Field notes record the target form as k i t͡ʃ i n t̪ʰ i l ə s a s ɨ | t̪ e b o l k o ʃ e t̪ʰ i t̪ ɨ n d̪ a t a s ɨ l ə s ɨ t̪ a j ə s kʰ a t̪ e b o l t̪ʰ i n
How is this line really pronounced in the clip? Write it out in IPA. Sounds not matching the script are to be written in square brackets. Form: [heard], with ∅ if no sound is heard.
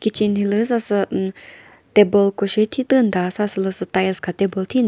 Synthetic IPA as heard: k i t͡ʃ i n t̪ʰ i l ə s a s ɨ | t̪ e b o l k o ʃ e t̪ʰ i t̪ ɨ n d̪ a [s] a s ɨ l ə s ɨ t̪ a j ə s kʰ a t̪ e b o l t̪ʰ i n